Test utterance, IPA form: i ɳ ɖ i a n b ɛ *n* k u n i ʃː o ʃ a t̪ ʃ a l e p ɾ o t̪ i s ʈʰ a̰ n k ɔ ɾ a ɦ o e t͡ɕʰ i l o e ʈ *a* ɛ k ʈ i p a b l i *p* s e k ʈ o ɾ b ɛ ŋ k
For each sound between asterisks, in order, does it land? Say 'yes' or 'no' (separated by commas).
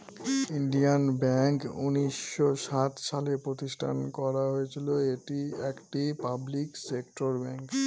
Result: no, no, no